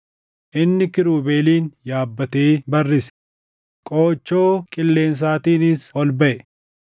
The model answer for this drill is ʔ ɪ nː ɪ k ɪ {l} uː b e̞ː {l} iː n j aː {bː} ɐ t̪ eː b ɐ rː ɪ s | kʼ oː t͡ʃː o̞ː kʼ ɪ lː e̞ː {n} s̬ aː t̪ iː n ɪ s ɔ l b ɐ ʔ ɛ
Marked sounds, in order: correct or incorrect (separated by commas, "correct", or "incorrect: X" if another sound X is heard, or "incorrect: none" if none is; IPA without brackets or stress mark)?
incorrect: ɾ, correct, correct, correct